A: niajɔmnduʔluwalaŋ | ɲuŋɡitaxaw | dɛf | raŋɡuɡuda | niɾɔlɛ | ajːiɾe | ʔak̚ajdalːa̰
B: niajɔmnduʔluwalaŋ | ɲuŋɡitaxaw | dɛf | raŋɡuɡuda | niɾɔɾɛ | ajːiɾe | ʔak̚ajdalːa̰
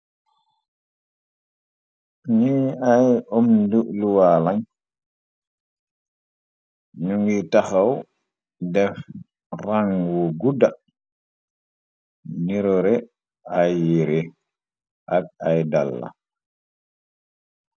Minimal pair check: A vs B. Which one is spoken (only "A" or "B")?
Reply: B